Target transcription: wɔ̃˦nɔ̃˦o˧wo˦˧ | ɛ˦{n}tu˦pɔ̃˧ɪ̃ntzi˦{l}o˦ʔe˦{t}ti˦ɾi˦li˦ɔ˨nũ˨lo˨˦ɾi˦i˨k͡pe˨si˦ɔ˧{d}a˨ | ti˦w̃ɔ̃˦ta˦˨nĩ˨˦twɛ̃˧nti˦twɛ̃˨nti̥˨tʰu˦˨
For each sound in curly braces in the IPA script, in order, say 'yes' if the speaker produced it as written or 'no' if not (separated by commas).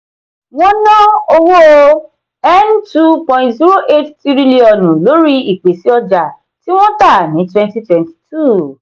yes, no, yes, no